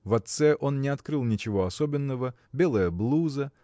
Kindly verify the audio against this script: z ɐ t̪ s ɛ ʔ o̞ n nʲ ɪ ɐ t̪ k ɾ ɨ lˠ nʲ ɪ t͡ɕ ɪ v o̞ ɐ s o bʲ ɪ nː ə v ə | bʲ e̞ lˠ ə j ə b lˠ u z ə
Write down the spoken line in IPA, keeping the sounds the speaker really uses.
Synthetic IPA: v ɐ t̪ s ɛ ʔ o̞ n nʲ ɪ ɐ t̪ k ɾ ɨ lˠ nʲ ɪ t͡ɕ ɪ v o̞ ɐ s o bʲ ɪ nː ə v ə | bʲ e̞ lˠ ə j ə b lˠ u z ə